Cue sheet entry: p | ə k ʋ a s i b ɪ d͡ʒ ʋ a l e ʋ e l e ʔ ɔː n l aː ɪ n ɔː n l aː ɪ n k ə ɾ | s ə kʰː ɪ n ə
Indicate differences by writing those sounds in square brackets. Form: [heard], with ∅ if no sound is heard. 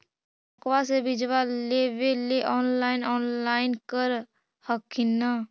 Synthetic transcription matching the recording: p | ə k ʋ a s [e] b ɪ d͡ʒ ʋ a l e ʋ e l e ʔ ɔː n l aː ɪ n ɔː n l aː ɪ n k ə ɾ | [h] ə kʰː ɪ n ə